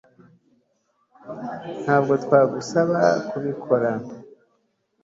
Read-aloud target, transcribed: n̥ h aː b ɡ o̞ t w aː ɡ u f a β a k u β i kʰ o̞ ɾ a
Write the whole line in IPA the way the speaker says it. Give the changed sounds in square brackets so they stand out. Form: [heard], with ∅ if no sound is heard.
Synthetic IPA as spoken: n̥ h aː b ɡ o̞ t w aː ɡ u [s] a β a k u β i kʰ o̞ ɾ a